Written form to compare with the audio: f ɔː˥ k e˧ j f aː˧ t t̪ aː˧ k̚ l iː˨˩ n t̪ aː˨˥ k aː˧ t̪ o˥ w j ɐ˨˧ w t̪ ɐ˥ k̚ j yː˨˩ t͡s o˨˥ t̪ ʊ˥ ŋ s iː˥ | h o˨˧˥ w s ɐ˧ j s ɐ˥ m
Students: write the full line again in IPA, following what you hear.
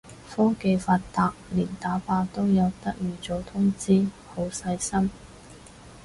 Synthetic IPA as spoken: f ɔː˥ k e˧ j f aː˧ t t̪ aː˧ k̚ l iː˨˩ n t̪ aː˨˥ p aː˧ t̪ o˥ w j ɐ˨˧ w t̪ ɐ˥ k̚ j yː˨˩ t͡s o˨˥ t̪ʰ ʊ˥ ŋ t͡s iː˥ | h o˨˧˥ w s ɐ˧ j s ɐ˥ m